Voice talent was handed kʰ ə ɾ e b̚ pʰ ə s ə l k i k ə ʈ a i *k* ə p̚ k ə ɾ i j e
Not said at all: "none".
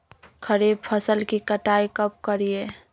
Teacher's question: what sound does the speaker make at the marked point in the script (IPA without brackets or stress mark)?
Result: k